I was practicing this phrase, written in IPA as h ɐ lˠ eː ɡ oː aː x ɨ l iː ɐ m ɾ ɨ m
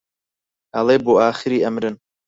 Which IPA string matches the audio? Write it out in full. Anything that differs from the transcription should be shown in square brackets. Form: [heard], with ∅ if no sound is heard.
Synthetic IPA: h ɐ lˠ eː [b] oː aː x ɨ [ɾ] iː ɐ m ɾ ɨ [n]